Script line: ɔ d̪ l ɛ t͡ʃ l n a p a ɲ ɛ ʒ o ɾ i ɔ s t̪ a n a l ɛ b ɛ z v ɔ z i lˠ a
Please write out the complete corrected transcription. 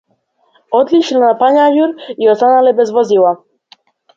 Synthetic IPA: ɔ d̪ l i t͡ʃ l n a p a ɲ a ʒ u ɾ i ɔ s t̪ a n a l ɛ b ɛ z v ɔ z i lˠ a